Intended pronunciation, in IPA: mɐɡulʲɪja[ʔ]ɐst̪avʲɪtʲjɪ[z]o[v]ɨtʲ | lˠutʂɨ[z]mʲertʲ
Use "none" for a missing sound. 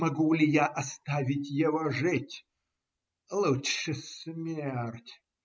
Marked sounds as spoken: ʔ, v, ʐ, s

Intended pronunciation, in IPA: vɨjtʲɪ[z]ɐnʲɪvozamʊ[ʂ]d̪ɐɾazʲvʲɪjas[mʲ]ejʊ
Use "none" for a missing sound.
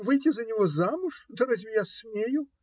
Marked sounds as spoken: z, ʂ, mʲ

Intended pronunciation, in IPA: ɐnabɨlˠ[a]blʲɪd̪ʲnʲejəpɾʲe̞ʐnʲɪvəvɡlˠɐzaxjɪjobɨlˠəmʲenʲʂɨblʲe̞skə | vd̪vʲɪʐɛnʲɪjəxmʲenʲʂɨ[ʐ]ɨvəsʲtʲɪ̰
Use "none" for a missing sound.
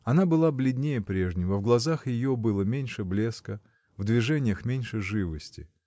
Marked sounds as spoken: a, ʐ

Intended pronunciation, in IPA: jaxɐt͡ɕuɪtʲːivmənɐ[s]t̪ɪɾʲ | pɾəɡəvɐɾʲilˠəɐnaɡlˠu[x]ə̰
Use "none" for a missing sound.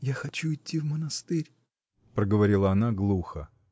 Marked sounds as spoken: s, x

